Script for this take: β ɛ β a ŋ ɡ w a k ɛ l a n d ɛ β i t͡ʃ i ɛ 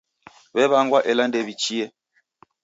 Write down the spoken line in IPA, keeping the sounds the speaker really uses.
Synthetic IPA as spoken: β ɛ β a ŋ ɡ w a ʔ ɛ l a n d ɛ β i t͡ʃ i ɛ